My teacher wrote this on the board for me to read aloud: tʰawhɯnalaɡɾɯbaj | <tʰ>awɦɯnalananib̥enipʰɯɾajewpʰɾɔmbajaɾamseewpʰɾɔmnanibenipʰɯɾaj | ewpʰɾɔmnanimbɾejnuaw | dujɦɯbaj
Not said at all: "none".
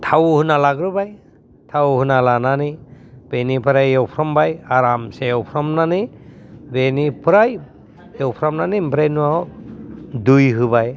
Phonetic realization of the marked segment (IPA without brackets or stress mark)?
tʰ